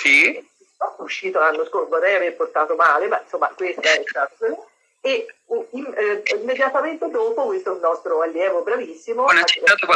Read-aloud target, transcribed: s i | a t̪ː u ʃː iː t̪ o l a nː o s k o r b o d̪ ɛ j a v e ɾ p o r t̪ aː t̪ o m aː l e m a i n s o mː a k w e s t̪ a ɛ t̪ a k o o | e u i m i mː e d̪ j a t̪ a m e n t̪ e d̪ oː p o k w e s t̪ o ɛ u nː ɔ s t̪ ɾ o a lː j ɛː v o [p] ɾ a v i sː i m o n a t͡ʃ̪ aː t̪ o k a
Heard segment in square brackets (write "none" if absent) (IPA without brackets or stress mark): b